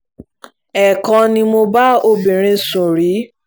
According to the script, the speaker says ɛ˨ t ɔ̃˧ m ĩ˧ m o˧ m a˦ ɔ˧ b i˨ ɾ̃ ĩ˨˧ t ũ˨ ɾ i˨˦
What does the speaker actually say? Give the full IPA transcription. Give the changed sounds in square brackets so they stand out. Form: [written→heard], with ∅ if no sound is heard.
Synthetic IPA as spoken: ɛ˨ [t→k] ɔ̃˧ [m→n] ĩ˧ m o˧ [m→b] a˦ [ɔ˧→o˧] b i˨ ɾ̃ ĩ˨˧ [t→s] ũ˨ ɾ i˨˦